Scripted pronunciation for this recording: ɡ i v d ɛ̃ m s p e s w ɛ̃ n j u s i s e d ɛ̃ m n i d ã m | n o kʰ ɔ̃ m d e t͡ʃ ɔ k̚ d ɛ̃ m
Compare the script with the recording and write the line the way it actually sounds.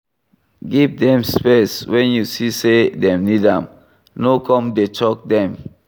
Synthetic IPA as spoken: ɡ i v d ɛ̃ m s p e s w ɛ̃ n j u s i s e d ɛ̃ m n i d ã m | n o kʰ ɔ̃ m d e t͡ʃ ɔ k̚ d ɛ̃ m